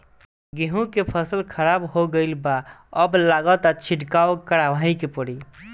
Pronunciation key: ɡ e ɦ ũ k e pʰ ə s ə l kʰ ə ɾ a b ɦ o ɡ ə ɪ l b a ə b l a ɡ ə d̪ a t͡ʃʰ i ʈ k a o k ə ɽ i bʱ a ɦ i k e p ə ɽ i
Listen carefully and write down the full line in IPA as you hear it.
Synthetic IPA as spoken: ɡ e ɦ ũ k e pʰ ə s ə l kʰ ə ɾ a b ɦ o ɡ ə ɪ l b a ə b l a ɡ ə t̪ a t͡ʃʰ i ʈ k a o k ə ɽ a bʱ a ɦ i k e p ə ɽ i